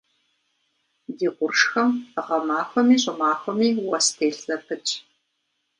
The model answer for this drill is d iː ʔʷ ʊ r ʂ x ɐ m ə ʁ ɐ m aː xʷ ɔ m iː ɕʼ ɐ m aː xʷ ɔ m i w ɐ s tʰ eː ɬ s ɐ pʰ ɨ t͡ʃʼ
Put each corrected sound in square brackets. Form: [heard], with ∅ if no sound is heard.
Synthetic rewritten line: d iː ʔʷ ʊ r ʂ x ɐ m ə ʁ ɐ m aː xʷ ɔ m iː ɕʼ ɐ m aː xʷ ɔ m [iː] w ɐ s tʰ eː ɬ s ɐ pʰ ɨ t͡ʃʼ